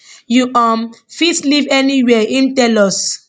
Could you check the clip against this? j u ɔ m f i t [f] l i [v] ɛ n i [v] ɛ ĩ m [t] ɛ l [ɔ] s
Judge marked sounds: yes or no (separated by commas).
no, yes, no, yes, yes